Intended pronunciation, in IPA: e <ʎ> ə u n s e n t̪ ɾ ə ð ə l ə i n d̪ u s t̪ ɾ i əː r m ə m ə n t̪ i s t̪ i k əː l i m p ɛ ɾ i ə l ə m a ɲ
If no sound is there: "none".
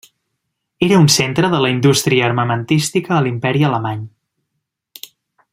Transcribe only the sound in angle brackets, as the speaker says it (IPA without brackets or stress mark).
ɾ